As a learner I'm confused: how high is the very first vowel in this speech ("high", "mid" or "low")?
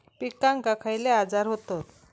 high